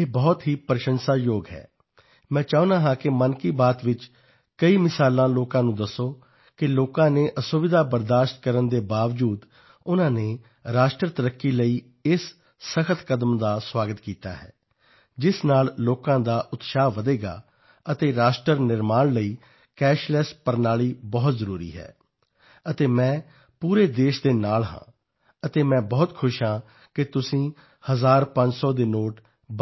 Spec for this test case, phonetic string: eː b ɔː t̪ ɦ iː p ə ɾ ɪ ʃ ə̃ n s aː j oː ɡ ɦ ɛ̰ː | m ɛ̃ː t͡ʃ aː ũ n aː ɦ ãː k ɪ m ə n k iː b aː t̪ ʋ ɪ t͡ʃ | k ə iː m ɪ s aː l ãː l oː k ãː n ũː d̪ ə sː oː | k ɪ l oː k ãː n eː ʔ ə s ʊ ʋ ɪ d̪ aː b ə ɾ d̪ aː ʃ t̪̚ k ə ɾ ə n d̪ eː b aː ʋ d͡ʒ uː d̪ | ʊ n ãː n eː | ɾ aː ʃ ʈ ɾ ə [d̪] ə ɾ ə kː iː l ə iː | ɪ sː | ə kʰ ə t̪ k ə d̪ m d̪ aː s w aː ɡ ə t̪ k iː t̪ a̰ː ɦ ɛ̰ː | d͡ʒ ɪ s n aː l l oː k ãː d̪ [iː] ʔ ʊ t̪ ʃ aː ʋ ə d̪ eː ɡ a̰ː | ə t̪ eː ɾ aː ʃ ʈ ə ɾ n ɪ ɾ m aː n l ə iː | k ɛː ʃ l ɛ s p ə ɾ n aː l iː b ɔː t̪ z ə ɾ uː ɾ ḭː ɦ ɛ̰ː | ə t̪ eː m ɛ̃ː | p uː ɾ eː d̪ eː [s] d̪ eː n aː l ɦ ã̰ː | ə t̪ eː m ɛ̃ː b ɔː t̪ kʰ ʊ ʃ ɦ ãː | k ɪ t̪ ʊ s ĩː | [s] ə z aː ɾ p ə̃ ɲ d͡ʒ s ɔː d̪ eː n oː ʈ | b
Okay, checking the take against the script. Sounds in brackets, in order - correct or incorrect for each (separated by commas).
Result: incorrect, incorrect, incorrect, incorrect